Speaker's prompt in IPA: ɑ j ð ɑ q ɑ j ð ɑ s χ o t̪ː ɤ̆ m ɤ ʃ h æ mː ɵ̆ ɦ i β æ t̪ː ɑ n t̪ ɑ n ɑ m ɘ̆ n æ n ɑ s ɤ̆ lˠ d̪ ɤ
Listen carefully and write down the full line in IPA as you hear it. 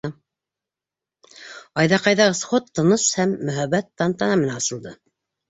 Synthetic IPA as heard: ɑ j ð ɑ q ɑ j ð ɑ s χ o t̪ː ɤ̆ n ɤ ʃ h æ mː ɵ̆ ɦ æ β æ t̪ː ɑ n t̪ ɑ n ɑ m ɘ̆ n æ n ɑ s ɤ̆ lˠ d̪ ɤ